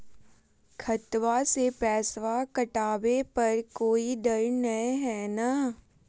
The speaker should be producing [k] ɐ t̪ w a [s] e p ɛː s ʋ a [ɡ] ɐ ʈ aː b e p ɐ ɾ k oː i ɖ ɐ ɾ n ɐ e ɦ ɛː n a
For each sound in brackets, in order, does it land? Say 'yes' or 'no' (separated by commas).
no, yes, no